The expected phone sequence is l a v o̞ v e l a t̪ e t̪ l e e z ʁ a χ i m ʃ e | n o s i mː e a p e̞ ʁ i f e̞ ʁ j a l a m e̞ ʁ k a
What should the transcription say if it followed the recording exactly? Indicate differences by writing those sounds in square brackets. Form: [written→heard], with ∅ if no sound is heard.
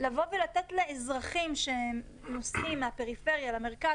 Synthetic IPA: l a v o̞ v e l a t̪ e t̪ l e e z ʁ a χ i m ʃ e | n o s i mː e a p e̞ ʁ i f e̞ ʁ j a l a m e̞ ʁ k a